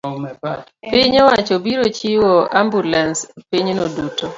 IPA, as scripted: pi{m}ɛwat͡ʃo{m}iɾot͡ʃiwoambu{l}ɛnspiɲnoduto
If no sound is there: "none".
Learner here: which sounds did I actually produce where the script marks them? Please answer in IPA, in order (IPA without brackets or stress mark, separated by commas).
ɲ, b, l